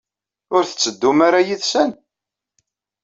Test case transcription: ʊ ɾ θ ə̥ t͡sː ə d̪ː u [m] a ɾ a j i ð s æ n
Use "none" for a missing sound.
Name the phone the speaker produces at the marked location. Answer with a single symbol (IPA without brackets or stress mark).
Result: m